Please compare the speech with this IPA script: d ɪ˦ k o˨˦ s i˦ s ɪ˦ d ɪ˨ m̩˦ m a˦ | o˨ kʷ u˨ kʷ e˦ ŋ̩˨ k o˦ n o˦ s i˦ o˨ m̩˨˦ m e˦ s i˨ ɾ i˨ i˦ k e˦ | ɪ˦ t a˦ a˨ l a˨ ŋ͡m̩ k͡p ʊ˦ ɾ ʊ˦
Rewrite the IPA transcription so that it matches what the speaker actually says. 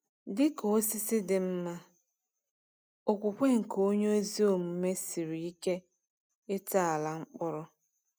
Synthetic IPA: d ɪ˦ k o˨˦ s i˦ s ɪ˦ d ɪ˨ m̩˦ m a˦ | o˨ kʷ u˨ kʷ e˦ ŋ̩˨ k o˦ ɲ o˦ z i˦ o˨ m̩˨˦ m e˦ s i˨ ɾ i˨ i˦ k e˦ | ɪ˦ t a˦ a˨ l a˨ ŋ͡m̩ k͡p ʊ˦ ɾ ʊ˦